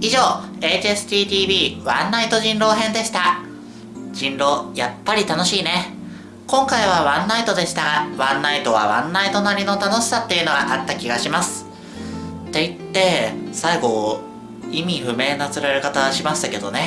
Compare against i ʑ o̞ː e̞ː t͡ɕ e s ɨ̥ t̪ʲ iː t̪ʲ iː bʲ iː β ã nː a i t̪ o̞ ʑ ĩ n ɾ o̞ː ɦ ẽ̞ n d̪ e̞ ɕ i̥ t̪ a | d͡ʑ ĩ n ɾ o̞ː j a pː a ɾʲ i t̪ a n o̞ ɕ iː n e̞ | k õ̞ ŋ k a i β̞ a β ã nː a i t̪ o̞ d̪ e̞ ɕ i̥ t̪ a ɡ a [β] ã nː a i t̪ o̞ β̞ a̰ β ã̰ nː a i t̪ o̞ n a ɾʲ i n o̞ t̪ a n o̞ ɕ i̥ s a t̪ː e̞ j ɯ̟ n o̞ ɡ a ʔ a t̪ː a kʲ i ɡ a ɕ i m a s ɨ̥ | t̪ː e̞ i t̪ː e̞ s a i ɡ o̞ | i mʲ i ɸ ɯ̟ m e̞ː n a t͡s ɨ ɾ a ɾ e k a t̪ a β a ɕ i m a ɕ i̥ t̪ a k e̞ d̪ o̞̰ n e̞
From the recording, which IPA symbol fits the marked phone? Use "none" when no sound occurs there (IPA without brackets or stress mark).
β